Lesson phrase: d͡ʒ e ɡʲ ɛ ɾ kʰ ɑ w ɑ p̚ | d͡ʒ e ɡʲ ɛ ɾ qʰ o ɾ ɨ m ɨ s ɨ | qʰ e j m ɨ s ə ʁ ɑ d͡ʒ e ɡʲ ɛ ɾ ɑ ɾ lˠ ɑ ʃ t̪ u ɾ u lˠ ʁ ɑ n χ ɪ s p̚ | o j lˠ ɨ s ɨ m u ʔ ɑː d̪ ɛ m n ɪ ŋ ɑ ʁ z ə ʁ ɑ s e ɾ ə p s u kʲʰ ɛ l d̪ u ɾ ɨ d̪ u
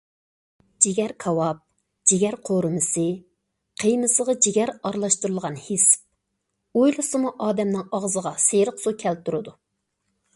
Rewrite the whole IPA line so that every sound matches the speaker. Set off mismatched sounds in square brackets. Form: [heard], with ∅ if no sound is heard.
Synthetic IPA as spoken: d͡ʒ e ɡʲ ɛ ɾ kʰ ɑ w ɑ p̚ | d͡ʒ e ɡʲ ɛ ɾ qʰ o ɾ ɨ m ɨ s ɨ | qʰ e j m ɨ s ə ʁ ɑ d͡ʒ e ɡʲ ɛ ɾ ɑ ɾ lˠ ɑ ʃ t̪ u ɾ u lˠ ʁ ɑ n [h] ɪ s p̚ | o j lˠ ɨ s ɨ m u ʔ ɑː d̪ ɛ m n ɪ ŋ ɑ ʁ z ə ʁ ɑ s e ɾ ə [q] s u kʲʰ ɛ l [t̪] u ɾ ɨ d̪ u